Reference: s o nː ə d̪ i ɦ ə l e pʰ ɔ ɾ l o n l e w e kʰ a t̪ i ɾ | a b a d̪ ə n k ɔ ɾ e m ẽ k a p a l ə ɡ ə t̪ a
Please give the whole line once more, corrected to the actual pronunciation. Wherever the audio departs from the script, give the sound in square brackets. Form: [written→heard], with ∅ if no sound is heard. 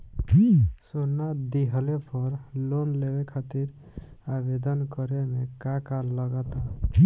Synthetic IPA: s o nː [ə→a] d̪ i ɦ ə l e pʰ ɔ ɾ l o n l e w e kʰ a t̪ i ɾ | a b [a→e] d̪ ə n k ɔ ɾ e m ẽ k a [p→k] a l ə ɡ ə t̪ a